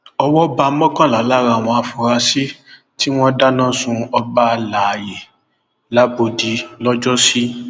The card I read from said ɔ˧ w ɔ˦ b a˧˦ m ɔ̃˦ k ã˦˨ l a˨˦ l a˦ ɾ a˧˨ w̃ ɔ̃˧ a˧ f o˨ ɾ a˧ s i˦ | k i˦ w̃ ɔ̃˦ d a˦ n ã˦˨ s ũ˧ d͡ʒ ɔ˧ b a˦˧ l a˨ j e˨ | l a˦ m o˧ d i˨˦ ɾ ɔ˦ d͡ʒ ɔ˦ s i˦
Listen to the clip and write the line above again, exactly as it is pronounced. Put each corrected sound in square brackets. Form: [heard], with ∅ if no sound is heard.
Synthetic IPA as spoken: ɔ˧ w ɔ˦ b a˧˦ m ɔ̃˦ k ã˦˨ l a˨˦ l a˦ ɾ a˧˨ w̃ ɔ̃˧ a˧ f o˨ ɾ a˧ s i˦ | [t] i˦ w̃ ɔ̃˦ d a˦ n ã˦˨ s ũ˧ [∅] ɔ˧ b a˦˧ l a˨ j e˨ | l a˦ [b] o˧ d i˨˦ [l] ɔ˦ d͡ʒ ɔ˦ s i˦